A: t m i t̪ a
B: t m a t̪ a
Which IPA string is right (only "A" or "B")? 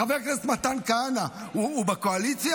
B